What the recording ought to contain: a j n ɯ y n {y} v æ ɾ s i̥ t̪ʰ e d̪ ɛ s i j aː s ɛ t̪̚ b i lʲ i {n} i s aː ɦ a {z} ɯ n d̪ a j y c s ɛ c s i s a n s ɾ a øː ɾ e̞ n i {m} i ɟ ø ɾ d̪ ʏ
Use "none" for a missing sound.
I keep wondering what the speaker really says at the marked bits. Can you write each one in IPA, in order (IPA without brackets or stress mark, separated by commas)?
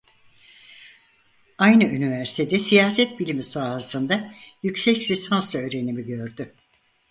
i, m, s, m